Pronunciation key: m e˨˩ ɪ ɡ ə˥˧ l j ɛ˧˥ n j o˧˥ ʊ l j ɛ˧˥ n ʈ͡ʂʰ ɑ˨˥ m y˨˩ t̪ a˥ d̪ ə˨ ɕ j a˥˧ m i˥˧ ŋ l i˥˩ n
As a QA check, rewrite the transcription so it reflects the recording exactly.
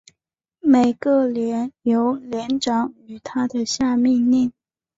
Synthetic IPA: m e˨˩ ɪ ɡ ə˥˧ l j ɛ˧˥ n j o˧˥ ʊ l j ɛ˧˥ n ʈ͡ʂ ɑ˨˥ ŋ y˨˩ t̪ʰ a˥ d̪ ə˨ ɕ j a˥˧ m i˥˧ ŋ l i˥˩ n